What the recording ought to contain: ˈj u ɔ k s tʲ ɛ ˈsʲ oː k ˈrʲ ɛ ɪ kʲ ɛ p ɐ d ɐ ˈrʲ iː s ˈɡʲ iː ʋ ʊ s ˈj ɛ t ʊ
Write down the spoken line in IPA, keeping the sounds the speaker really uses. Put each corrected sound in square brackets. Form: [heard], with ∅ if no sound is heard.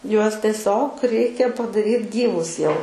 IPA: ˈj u ɔ [∅] s tʲ ɛ ˈsʲ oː k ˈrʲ ɛ ɪ kʲ ɛ p ɐ d ɐ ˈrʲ iː [t] ˈɡʲ iː ʋ ʊ s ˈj ɛ [∅] ʊ